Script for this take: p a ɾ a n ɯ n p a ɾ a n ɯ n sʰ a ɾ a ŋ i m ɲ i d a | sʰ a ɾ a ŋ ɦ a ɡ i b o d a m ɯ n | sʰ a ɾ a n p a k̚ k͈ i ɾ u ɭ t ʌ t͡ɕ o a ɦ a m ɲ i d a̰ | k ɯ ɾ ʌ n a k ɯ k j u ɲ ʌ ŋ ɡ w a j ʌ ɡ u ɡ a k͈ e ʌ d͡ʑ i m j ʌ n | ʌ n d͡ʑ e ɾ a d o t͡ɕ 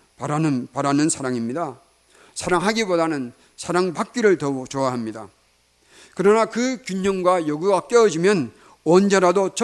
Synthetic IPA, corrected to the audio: p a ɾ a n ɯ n p a ɾ a n ɯ n sʰ a ɾ a ŋ i m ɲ i d a | sʰ a ɾ a ŋ ɦ a ɡ i b o d a n ɯ n | sʰ a ɾ a ŋ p a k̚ k͈ i ɾ ɯ ɭ t ʌ t͡ɕ o a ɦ a m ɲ i d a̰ | k ɯ ɾ ʌ n a k ɯ k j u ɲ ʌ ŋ ɡ w a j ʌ ɡ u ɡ a k͈ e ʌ d͡ʑ i m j ʌ n | ʌ n d͡ʑ e ɾ a d o t͡ɕ